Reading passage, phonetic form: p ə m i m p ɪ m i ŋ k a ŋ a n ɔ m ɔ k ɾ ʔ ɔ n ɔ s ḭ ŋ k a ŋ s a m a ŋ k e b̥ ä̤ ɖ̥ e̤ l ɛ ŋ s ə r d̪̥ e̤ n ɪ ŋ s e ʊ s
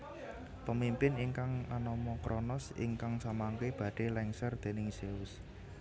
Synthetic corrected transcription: p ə m i m p ɪ n i ŋ k a ŋ a n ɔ m ɔ k ɾ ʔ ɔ n ɔ s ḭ ŋ k a ŋ s a m a ŋ k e b̥ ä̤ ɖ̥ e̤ l ɛ ŋ s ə r d̪̥ e̤ n ɪ ŋ s e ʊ s

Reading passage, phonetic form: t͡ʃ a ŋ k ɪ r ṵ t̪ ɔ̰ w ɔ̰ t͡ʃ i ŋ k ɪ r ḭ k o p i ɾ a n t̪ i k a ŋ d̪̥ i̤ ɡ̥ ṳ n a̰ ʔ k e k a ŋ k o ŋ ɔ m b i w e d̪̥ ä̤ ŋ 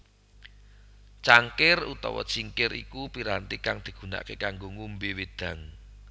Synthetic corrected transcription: t͡ʃ a ŋ k ɪ r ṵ t̪ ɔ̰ w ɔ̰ t͡ʃ i ŋ k ɪ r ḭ k u p i ɾ a n t̪ i k a ŋ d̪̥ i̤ ɡ̥ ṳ n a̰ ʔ k e k a ŋ ɡ o ŋ u m b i w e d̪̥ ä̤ ŋ

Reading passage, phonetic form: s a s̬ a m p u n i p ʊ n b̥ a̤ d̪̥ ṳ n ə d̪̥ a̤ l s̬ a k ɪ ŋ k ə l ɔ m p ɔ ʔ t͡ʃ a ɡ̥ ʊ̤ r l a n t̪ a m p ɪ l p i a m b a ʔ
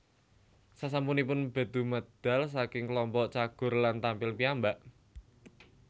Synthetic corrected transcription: s a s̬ a m p u n i p ʊ n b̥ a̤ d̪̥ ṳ m ə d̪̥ a̤ l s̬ a k ɪ ŋ k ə l ɔ m p ɔ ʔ t͡ʃ a ɡ̥ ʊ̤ r l a n t̪ a m p ɪ l p i a m b a ʔ

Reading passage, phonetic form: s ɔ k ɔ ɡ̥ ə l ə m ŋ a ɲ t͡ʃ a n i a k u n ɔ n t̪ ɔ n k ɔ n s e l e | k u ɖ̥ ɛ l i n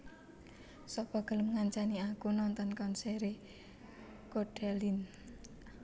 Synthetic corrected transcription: s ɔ p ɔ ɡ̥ ə l ə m ŋ a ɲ t͡ʃ a n i a k u n ɔ n t̪ ɔ n k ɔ n s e ɾ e | k o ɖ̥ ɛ l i n

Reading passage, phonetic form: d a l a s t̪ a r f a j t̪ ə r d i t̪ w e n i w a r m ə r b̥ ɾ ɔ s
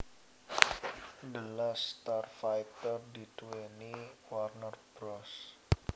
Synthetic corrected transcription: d ə l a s t̪ a r f a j t̪ ə r d i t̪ w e n i w a r n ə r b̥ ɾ ɔ s

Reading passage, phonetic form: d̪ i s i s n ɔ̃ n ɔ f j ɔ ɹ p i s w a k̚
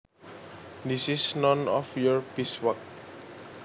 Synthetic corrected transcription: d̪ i s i s n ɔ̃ n ɔ f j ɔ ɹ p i s w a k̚

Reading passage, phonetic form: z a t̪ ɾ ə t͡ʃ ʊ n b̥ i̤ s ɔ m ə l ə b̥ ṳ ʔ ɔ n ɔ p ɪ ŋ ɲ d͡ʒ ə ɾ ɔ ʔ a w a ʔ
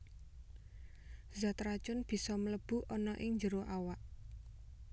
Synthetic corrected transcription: z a t̪ ɾ a t͡ʃ ʊ n b̥ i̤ s ɔ m ə l ə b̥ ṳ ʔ ɔ n ɔ ʔ ɪ ŋ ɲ d͡ʒ ə ɾ o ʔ a w a ʔ

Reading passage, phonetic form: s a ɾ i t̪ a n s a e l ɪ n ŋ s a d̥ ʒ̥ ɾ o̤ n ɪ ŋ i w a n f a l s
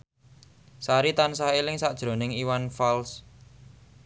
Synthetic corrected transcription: s a ɾ i t̪ a n s a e l ɪ ŋ s a d̥ ʒ̥ ɾ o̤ n ɪ ŋ i w a n f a l s

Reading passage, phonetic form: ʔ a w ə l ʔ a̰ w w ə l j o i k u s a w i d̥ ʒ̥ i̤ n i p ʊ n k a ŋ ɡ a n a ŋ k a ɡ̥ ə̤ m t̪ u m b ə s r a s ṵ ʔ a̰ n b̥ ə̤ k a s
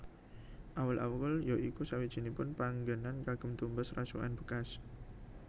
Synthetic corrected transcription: ʔ a w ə l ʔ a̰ w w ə l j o i k u s a w i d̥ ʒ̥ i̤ n i p ʊ n p a ŋ ɡ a n a n k a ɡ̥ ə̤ m t̪ u m b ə s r a s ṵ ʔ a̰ n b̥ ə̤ k a s

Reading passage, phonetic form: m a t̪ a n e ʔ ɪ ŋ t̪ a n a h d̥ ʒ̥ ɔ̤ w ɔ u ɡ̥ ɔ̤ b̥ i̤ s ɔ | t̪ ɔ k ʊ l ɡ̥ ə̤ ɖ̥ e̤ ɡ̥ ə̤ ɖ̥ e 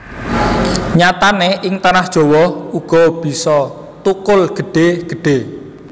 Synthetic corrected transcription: ɲ a t̪ a n e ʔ ɪ ŋ t̪ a n a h d̥ ʒ̥ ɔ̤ w ɔ u ɡ̥ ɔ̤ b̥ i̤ s ɔ | t̪ u k ʊ l ɡ̥ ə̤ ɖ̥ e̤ ɡ̥ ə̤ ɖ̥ e

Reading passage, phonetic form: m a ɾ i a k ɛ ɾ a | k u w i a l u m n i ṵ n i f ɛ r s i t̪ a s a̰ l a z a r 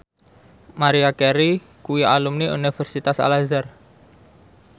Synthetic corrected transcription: m a ɾ i a k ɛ ɾ i | k u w i a l u m n i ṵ n i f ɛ r s i t̪ a s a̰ l a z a r

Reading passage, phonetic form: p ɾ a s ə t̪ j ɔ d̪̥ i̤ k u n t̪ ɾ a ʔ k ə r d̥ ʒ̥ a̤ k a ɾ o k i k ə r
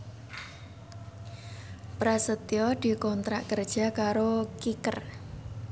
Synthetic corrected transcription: p ɾ a s ə t̪ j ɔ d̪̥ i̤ k ɔ n t̪ ɾ a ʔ k ə r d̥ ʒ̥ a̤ k a ɾ o k i k ə r

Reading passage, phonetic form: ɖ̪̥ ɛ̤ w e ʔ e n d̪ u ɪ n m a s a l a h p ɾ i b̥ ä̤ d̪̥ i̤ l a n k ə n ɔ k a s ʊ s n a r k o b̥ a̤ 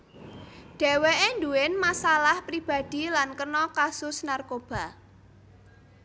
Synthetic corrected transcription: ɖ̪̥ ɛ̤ w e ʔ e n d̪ u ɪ n m a s a l a h p ɾ i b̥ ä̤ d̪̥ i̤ l a n k ə n ɔ k a s ʊ s n a r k o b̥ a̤

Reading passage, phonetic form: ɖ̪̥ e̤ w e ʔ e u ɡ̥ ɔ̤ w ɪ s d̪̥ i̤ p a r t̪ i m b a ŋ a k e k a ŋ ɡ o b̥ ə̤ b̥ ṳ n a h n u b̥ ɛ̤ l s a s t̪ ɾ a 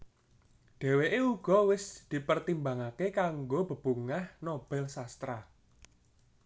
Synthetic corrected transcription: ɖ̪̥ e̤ w e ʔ e u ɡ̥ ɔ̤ w ɪ s d̪̥ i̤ p ə r t̪ i m b a ŋ a k e k a ŋ ɡ o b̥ ə̤ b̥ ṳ ŋ a h n o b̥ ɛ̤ l s a s t̪ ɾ a

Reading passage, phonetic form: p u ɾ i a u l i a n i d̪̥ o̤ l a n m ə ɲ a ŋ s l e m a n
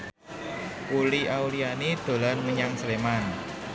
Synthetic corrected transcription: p u l i a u l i a n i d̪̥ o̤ l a n m ə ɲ a ŋ s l e m a n

